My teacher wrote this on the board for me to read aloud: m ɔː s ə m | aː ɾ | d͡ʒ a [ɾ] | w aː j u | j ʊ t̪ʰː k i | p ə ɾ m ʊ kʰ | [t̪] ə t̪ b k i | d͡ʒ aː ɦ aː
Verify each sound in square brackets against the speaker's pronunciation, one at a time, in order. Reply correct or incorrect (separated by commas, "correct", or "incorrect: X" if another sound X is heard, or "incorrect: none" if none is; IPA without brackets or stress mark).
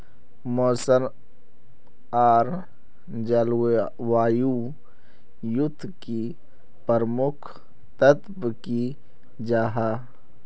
incorrect: l, correct